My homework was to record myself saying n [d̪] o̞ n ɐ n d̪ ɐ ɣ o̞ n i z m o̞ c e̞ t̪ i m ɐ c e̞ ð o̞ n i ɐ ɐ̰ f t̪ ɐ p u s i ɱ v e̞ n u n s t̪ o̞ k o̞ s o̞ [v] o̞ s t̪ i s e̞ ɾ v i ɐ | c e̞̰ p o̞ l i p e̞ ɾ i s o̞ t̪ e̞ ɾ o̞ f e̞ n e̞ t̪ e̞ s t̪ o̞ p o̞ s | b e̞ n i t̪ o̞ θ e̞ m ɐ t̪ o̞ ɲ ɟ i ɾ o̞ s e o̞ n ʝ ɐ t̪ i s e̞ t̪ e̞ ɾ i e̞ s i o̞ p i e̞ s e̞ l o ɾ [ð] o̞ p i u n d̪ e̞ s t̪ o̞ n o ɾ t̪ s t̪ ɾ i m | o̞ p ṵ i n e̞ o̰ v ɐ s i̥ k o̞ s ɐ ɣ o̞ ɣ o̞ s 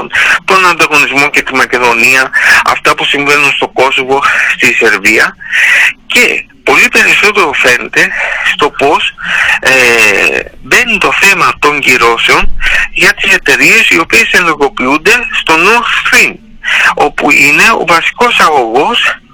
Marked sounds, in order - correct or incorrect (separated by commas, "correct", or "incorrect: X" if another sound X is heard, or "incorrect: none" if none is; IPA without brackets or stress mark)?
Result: incorrect: t̪, correct, incorrect: ɣ